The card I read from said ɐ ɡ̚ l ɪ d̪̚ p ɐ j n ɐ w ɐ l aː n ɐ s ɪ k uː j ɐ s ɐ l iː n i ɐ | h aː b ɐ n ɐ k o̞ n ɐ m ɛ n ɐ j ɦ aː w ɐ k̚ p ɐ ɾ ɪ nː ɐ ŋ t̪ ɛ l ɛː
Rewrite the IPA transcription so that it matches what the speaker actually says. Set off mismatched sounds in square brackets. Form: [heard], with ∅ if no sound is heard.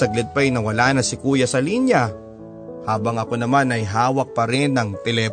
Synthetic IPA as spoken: ɐ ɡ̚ l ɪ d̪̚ p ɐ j n ɐ w ɐ l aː n ɐ s ɪ k uː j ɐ s ɐ l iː n [j] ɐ | h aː b ɐ [ŋ] ɐ k o̞ n ɐ m [a] n ɐ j ɦ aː w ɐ k̚ p ɐ ɾ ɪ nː ɐ ŋ t̪ ɛ l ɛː